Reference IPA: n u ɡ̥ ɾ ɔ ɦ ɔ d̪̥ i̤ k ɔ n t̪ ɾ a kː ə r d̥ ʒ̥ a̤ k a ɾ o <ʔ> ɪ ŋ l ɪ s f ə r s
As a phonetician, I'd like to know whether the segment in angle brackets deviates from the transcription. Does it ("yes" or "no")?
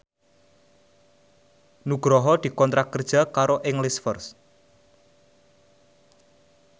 no